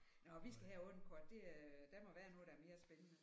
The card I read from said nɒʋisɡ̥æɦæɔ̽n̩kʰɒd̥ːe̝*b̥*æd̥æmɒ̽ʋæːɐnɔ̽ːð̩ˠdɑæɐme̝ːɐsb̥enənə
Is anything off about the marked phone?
yes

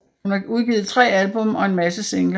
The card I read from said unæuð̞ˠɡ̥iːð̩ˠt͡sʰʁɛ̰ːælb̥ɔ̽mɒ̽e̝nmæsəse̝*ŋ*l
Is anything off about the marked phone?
no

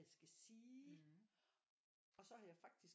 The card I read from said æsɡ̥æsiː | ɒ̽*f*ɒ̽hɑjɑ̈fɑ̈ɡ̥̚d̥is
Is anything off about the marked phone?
yes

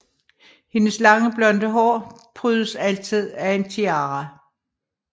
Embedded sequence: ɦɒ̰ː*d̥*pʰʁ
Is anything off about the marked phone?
yes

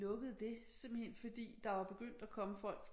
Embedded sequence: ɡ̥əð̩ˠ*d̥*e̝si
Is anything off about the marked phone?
no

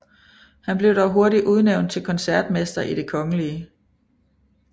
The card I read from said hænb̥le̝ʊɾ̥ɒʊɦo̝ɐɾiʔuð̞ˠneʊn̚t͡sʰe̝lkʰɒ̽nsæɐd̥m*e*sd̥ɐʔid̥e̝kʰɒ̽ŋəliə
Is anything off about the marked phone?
no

